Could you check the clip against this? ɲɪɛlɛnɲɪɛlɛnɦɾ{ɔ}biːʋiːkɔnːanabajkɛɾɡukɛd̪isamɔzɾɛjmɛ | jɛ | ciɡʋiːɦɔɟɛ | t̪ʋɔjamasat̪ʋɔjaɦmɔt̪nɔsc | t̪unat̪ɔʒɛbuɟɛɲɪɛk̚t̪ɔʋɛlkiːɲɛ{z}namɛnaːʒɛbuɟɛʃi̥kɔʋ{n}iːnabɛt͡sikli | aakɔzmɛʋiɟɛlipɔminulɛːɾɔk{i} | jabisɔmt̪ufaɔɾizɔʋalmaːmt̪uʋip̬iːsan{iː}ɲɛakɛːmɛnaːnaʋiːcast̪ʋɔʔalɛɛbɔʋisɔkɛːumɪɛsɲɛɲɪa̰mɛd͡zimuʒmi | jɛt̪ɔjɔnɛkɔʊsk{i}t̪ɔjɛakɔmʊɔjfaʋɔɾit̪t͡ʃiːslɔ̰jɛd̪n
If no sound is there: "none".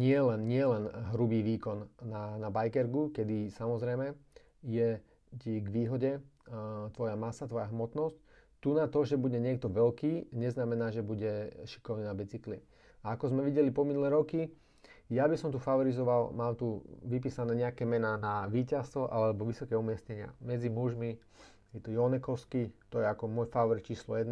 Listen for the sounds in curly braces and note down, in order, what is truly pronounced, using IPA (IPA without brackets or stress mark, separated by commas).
u, z, n, i, ɛː, i